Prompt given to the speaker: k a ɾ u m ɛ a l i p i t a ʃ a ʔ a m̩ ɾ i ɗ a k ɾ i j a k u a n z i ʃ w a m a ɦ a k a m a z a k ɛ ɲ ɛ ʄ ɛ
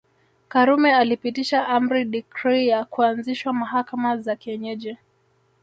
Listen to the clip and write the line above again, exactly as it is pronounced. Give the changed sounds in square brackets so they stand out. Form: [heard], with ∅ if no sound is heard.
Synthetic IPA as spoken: k a ɾ u m ɛ a l i p i t [i] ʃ a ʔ a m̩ ɾ i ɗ [i] k ɾ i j a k u a n z i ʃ w a m a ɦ a k a m a z a k ɛ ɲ ɛ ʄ ɛ

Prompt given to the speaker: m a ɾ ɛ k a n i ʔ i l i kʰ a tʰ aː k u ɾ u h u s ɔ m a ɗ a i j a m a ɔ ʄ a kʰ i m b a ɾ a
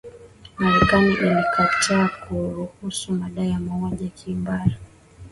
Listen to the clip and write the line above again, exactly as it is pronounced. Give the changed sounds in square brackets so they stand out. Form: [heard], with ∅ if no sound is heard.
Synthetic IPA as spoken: m a ɾ ɛ k a n i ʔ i l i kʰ a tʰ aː k u ɾ u h u s [u] m a ɗ a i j a m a ɔ ʄ a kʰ i m b a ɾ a

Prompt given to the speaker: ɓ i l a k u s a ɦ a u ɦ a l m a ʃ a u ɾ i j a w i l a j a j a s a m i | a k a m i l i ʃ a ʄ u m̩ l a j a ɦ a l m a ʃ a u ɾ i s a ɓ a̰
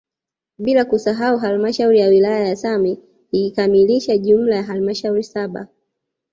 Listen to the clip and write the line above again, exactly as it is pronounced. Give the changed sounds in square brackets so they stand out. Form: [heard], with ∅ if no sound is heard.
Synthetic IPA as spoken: ɓ i l a k u s a ɦ a u ɦ a l m a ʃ a u ɾ i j a w i l a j a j a s a m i | [i] k a m i l i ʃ a ʄ u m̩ l a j a ɦ a l m a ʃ a u ɾ i s a ɓ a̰

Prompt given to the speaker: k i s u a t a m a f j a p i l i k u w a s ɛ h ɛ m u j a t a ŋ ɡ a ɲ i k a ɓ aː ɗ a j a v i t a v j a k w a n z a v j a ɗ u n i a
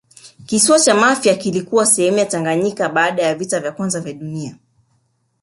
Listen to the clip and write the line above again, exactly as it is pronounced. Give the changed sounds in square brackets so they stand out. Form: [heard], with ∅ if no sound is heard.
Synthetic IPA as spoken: k i s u a [t͡ʃ] a m a f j a [k] i l i k u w a s ɛ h ɛ m u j a t a ŋ ɡ a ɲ i k a ɓ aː ɗ a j a v i t a v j a k w a n z a v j a ɗ u n i a

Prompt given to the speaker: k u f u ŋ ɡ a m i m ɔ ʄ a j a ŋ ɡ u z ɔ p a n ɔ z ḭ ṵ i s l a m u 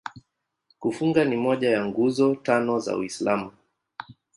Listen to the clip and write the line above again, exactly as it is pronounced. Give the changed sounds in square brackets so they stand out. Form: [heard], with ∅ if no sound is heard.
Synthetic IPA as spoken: k u f u ŋ ɡ a [n] i m ɔ ʄ a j a ŋ ɡ u z ɔ [t] a n ɔ z [a̰] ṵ i s l a m u

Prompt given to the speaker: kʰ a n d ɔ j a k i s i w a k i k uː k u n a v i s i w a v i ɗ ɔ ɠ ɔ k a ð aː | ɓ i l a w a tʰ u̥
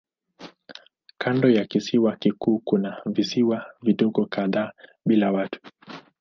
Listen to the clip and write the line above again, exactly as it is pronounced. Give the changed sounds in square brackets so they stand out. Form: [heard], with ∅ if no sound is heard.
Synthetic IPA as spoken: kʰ a n d ɔ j a k i s i w a k i k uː k u n a v i s i w a v i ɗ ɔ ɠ ɔ k a ð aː | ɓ i l a w a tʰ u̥

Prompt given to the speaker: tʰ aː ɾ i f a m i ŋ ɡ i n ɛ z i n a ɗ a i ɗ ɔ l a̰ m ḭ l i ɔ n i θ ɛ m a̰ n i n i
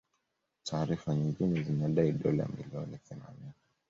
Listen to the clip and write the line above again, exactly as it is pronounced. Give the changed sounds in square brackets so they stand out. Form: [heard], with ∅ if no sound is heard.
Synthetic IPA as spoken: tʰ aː ɾ i f a [ɲ] i ŋ ɡ i n ɛ z i n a ɗ a i ɗ ɔ l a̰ m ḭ l i ɔ n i θ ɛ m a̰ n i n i

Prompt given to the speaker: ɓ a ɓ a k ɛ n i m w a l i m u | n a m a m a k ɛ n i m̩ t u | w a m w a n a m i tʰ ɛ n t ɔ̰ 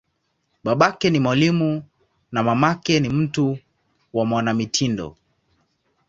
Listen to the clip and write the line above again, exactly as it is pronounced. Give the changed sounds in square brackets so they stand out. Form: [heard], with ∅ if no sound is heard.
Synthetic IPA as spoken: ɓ a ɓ a k ɛ n i m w a l i m u | n a m a m a k ɛ n i m̩ t u | w a m w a n a m i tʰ [i] n [d] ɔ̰

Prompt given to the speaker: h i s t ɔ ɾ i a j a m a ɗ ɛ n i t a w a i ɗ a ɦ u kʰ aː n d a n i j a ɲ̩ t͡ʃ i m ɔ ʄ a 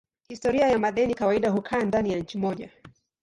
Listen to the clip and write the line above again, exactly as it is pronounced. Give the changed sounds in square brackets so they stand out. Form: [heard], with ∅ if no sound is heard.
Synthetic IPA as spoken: h i s t ɔ ɾ i a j a m a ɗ ɛ n i [k] a w a i ɗ a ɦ u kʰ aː n d a n i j a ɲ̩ t͡ʃ i m ɔ ʄ a

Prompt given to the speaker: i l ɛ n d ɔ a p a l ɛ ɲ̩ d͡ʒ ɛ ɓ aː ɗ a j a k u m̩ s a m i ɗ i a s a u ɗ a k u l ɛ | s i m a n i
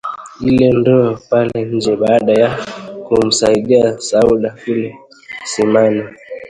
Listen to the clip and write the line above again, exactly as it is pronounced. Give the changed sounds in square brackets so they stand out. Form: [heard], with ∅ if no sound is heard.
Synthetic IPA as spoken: i l ɛ n d ɔ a p a l ɛ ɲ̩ d͡ʒ ɛ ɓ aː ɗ a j a k u m̩ s a [∅] i ɗ i a s a u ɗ a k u l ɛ | s i m a n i

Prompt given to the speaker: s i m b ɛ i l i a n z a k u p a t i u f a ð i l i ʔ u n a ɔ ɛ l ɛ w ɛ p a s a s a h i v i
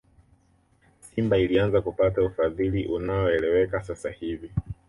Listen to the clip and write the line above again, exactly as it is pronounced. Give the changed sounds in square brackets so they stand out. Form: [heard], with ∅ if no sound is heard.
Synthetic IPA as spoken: s i m b [a] i l i a n z a k u p a t [a] u f a ð i l i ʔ u n a ɔ ɛ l ɛ w ɛ [k] a s a s a h i v i

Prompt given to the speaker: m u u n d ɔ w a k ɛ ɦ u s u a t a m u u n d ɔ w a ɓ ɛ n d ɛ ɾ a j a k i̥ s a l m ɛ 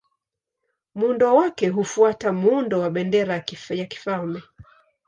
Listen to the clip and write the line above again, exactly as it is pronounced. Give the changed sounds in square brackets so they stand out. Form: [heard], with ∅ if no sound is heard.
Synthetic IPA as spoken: m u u n d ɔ w a k ɛ ɦ u [f] u a t a m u u n d ɔ w a ɓ ɛ n d ɛ ɾ a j a k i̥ [f] a l m ɛ

